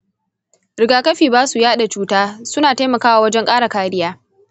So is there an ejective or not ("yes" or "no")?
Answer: yes